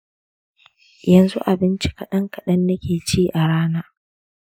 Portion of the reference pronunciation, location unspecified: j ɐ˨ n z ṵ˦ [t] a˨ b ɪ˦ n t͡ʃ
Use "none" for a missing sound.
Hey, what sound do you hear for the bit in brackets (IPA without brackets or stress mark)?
ʔ